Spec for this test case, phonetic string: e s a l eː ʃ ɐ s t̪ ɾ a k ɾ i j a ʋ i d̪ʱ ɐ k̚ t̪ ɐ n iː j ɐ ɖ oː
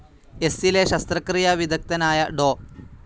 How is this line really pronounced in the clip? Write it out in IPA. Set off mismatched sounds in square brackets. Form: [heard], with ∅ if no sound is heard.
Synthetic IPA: e s [i] l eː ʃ ɐ s t̪ ɾ [ɐ] k ɾ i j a ʋ i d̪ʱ ɐ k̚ t̪ ɐ n [aː] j ɐ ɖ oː